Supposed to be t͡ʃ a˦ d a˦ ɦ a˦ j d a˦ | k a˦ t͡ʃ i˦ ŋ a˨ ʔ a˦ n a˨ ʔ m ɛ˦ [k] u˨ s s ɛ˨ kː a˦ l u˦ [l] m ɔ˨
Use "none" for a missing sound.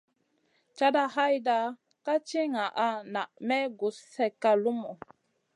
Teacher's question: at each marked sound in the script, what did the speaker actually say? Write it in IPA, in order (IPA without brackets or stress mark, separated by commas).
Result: ɡ, none